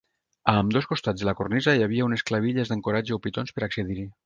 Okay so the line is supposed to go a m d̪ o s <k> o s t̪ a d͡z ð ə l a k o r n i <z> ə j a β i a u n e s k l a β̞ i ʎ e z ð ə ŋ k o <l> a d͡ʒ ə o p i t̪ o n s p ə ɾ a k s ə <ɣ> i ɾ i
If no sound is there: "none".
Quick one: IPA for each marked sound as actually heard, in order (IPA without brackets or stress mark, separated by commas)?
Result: k, z, ɾ, ð